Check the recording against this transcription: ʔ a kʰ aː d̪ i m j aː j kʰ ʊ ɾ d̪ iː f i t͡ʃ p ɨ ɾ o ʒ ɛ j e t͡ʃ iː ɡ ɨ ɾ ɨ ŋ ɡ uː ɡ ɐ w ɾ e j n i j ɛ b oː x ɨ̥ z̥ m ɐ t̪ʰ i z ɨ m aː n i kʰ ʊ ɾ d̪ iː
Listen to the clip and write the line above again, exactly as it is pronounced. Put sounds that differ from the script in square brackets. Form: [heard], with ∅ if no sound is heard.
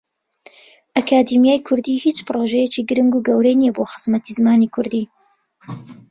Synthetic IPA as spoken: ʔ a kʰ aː d̪ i m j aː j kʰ ʊ ɾ d̪ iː [h] i t͡ʃ p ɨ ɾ o ʒ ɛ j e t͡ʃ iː ɡ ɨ ɾ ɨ ŋ ɡ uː ɡ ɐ w ɾ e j n i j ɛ b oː x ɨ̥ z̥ m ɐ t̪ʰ i z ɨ m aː n i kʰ ʊ ɾ d̪ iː